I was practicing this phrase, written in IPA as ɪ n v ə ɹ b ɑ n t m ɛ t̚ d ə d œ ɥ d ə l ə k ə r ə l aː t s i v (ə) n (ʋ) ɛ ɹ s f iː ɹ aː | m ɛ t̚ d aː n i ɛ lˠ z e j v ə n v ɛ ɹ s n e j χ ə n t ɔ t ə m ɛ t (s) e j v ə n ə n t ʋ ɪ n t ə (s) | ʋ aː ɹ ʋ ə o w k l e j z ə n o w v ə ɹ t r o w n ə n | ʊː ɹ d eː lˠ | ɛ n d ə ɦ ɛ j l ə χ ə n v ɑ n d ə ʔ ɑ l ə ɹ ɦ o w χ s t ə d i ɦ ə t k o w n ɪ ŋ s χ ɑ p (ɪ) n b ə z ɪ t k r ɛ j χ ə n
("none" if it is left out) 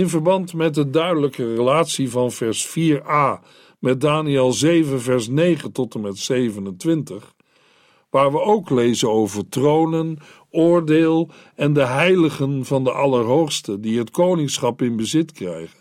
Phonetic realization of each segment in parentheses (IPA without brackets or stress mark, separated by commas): ɑ, v, s, χ, ɪ